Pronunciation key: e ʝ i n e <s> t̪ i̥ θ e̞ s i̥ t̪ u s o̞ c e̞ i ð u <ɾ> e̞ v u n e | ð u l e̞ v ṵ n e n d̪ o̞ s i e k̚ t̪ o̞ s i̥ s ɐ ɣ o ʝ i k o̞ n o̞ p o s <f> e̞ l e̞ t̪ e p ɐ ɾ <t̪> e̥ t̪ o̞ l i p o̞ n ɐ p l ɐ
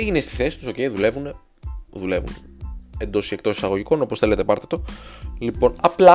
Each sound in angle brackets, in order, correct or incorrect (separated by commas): correct, incorrect, incorrect, correct